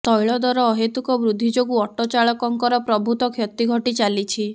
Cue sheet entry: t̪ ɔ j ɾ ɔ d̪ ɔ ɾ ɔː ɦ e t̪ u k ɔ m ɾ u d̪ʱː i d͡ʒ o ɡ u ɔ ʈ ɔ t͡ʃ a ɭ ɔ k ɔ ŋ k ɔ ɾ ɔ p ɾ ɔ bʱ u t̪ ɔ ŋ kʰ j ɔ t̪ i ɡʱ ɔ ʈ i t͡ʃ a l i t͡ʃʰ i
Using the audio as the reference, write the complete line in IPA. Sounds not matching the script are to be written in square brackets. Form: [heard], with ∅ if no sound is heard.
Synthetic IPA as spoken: t̪ ɔ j [ɭ] ɔ d̪ ɔ ɾ ɔː ɦ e t̪ u k ɔ [b] ɾ u d̪ʱː i d͡ʒ o ɡ u ɔ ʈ ɔ t͡ʃ a ɭ ɔ k ɔ ŋ k ɔ ɾ ɔ p ɾ ɔ bʱ u t̪ ɔ [∅] kʰ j ɔ t̪ i ɡʱ ɔ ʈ i t͡ʃ a l i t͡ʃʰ i

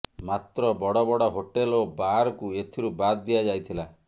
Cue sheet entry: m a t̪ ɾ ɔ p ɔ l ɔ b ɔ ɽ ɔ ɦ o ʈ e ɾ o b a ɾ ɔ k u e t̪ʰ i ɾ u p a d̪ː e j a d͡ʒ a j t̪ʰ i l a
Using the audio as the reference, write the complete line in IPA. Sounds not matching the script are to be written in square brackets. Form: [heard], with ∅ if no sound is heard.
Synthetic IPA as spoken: m a t̪ ɾ ɔ [b] ɔ [ɽ] ɔ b ɔ ɽ ɔ ɦ o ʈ e [l] o b a ɾ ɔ k u e t̪ʰ i ɾ u [b] a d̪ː [i] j a d͡ʒ a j t̪ʰ i l a

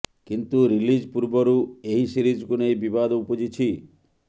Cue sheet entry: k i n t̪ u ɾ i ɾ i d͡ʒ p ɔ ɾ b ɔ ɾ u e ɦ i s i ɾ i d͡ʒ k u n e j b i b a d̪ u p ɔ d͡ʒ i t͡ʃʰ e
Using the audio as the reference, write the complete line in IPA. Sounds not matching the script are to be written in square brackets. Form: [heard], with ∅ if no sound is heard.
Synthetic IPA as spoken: k i n t̪ u ɾ i [l] i d͡ʒ p [u] ɾ b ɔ ɾ u e ɦ i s i ɾ i d͡ʒ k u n e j b i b a d̪ u p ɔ d͡ʒ i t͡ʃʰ [i]

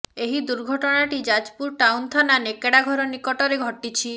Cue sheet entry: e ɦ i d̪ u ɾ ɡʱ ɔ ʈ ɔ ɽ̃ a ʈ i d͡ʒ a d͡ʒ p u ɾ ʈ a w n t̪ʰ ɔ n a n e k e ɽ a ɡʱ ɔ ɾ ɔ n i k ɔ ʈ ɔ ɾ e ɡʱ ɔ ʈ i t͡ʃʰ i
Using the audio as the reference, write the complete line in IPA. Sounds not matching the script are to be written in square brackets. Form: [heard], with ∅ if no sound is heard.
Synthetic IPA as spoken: e ɦ i d̪ u ɾ ɡʱ ɔ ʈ ɔ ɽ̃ a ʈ i d͡ʒ a d͡ʒ p u ɾ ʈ a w n t̪ʰ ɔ n a n e k e ɽ a ɡʱ ɔ ɾ ɔ n i k ɔ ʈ ɔ ɾ e ɡʱ ɔ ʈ i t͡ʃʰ i

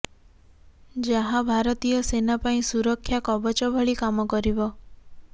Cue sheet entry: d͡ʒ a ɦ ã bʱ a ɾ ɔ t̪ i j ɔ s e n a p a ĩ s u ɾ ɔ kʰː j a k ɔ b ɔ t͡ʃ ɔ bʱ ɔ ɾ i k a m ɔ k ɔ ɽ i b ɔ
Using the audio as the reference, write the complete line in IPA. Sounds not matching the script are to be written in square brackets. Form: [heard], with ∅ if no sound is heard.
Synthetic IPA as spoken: d͡ʒ a ɦ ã bʱ a ɾ ɔ t̪ i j ɔ s e n a p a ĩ s u ɾ ɔ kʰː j a k ɔ b ɔ t͡ʃ ɔ bʱ ɔ [ɭ] i k a m ɔ k ɔ [ɾ] i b ɔ

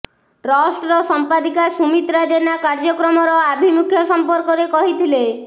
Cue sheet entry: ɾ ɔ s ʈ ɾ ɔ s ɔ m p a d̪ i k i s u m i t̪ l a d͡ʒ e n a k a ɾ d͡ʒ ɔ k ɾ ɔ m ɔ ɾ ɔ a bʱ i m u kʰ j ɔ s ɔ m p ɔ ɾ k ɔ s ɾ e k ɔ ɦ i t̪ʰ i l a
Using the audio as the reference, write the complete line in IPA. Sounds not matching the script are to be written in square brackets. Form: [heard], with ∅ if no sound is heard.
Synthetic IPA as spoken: ɾ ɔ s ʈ ɾ ɔ s ɔ m p a d̪ i k [a] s u m i t̪ [ɾ] a d͡ʒ e n a k a ɾ d͡ʒ ɔ k ɾ ɔ m ɔ ɾ ɔ a bʱ i m u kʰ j ɔ s ɔ m p ɔ ɾ k ɔ [∅] ɾ e k ɔ ɦ i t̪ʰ i l [e]

